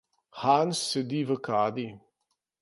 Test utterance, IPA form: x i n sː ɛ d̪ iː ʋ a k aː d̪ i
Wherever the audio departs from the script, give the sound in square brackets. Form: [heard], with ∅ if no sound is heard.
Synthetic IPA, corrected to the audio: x [a] n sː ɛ d̪ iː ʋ [ə] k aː d̪ i

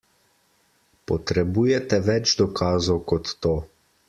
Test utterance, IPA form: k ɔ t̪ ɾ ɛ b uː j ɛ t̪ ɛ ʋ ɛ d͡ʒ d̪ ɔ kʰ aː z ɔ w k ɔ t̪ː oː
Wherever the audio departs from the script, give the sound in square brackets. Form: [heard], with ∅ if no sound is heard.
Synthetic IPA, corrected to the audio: [p] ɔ t̪ ɾ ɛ b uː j ɛ t̪ ɛ ʋ ɛ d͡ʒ d̪ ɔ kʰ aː z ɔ w k ɔ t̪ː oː

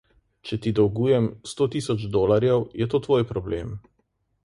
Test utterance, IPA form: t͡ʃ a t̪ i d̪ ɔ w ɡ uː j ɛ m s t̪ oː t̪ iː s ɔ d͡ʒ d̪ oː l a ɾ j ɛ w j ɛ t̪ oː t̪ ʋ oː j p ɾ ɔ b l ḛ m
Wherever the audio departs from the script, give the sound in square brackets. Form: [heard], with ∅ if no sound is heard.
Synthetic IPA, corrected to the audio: t͡ʃ [ɛ] t̪ i d̪ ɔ w ɡ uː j ɛ m s t̪ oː t̪ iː s ɔ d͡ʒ d̪ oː l a ɾ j ɛ w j ɛ t̪ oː t̪ ʋ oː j p ɾ ɔ b l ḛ m

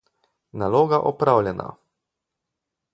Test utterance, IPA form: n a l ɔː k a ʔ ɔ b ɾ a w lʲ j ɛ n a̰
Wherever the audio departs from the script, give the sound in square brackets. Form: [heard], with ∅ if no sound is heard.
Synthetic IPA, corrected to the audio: n a l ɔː [ɡ] a ʔ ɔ [p] ɾ a w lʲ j ɛ n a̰

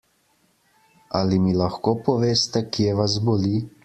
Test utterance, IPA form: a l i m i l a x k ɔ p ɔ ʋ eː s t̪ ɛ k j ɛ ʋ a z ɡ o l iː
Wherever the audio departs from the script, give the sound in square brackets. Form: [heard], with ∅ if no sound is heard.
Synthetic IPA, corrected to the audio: a l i m i l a x k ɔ p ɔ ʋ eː s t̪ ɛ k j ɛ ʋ a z [b] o l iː

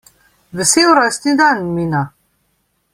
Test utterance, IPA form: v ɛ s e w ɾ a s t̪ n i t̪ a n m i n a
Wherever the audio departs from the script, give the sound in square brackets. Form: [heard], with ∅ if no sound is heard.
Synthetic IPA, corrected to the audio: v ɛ s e w ɾ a s t̪ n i [d̪] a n m i n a

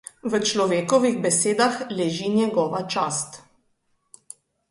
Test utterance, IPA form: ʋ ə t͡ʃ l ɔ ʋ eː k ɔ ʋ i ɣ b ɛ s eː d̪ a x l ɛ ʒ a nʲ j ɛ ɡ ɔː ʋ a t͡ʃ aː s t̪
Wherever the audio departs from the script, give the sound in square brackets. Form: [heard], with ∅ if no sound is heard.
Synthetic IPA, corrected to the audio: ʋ ə t͡ʃ l ɔ ʋ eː k ɔ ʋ i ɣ b ɛ s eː d̪ a x l ɛ ʒ [i] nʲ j ɛ ɡ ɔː ʋ a t͡ʃ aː s t̪

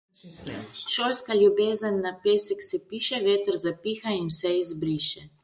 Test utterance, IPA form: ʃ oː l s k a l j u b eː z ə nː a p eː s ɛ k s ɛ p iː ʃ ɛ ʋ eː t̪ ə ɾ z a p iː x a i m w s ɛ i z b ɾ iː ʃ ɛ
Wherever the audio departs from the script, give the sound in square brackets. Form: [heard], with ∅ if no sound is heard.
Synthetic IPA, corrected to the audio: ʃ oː l s k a l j u b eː z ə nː a p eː s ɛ k s ɛ p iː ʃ ɛ ʋ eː t̪ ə ɾ z a p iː x a i [n] w s ɛ i z b ɾ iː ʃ ɛ

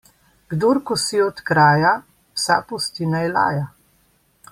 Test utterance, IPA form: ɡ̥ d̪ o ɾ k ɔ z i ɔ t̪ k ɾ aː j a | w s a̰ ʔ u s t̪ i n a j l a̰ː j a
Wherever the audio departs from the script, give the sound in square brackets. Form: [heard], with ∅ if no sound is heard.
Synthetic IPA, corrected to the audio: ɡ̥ d̪ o ɾ k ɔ [s] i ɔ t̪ k ɾ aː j a | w s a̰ [p] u s t̪ i n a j l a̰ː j a

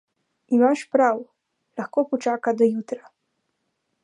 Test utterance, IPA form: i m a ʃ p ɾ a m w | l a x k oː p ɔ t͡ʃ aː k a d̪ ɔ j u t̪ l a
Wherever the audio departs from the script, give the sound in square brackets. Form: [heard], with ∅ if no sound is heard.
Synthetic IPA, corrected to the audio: i m a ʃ p ɾ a [∅] w | l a x k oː p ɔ t͡ʃ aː k a d̪ ɔ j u t̪ [ɾ] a

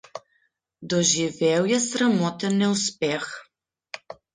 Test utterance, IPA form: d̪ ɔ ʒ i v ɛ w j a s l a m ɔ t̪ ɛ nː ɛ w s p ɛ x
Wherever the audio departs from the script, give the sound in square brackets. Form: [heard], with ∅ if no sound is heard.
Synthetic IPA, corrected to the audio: d̪ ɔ ʒ i v ɛ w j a s [ɾ] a m ɔ t̪ ɛ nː ɛ [u] s p ɛ x

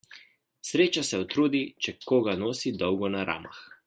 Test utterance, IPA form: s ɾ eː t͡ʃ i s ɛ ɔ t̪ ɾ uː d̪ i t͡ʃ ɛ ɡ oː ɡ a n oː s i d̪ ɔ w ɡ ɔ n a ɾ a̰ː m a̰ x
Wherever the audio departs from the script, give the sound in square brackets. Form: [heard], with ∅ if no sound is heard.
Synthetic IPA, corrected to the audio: s ɾ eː t͡ʃ [a] s ɛ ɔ t̪ ɾ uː d̪ i t͡ʃ ɛ [k] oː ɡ a n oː s i d̪ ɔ w ɡ ɔ n a ɾ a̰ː m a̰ x

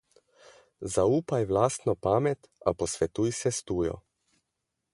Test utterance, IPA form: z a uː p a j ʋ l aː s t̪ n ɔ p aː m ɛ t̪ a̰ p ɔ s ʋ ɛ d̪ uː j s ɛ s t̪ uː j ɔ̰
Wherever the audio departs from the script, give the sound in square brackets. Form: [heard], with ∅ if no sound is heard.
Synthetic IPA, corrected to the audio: z a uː p a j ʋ l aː s t̪ n ɔ p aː m ɛ t̪ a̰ p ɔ s ʋ ɛ [t̪] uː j s ɛ s t̪ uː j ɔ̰

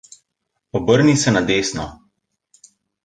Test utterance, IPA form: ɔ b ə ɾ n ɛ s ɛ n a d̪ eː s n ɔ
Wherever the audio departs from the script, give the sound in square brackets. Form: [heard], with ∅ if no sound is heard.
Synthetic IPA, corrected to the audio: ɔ b ə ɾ n [i] s ɛ n a d̪ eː s n ɔ

